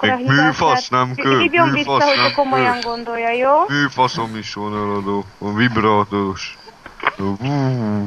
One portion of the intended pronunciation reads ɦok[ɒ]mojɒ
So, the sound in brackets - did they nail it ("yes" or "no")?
no